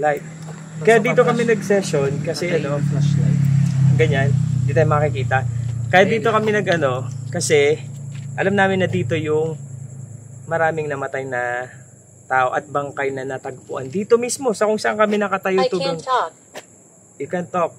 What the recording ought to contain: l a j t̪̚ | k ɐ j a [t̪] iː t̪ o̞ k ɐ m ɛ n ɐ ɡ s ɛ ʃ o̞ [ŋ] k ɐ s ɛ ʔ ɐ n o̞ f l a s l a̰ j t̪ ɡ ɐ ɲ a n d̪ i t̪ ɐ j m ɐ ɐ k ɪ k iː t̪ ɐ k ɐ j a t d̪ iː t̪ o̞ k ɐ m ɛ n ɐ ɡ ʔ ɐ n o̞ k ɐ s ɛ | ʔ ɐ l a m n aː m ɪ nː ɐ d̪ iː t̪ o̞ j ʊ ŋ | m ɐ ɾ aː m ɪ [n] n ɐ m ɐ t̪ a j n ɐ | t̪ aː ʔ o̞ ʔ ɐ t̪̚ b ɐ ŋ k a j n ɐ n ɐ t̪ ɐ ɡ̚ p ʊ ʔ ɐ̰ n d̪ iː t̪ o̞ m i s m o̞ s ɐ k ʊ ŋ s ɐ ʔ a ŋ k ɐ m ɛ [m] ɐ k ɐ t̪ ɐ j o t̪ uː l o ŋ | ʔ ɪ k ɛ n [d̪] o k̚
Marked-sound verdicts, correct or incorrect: incorrect, incorrect, incorrect, incorrect, incorrect

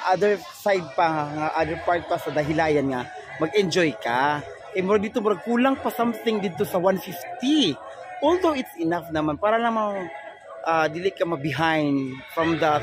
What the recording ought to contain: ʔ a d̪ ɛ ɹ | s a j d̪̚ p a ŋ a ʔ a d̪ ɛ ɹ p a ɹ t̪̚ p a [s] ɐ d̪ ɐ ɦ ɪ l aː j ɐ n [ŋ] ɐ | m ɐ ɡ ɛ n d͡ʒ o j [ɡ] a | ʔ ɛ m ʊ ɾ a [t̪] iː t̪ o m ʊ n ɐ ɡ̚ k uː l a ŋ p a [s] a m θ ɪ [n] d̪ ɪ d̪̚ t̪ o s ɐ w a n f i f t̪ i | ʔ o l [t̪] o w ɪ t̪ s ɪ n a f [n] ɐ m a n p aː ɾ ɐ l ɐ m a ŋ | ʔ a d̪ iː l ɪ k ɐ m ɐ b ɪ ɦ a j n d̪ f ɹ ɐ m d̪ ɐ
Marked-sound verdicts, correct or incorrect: correct, correct, incorrect, incorrect, correct, incorrect, incorrect, correct

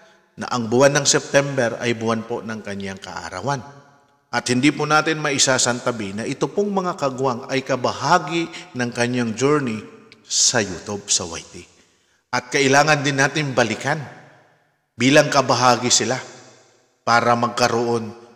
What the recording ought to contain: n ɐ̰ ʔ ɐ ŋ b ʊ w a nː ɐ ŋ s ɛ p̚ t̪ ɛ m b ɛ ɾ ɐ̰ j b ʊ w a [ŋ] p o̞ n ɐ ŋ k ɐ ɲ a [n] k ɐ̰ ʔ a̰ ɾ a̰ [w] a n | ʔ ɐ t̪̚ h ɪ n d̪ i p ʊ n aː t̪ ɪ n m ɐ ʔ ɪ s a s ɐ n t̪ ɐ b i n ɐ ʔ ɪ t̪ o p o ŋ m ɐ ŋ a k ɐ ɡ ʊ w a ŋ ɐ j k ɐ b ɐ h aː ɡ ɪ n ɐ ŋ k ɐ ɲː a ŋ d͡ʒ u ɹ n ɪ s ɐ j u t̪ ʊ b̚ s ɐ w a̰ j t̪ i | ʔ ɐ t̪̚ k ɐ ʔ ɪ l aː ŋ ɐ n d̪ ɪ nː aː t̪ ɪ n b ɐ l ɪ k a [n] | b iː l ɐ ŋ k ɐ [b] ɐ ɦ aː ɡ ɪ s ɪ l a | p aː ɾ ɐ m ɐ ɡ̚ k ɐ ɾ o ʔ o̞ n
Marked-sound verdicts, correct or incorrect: incorrect, incorrect, correct, correct, correct

